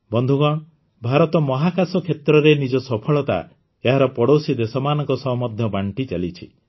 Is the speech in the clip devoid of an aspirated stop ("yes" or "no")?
no